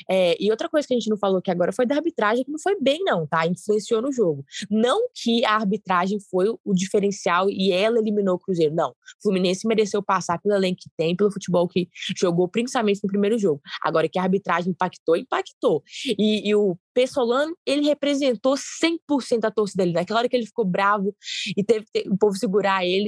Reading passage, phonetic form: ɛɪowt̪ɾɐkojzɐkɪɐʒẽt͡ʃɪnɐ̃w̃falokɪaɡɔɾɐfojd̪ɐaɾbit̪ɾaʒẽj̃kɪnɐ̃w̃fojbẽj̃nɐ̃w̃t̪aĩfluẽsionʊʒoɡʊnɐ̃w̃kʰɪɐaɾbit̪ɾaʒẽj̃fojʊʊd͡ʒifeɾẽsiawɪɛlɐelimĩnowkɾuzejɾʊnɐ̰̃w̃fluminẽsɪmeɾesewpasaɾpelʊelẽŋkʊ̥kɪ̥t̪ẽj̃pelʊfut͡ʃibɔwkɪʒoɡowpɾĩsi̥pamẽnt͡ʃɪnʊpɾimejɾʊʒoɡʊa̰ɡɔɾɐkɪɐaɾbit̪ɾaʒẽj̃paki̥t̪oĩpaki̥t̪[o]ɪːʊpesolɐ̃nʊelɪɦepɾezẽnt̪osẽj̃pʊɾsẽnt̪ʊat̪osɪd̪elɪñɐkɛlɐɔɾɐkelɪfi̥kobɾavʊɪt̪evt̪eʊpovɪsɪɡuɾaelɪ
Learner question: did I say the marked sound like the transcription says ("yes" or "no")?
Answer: yes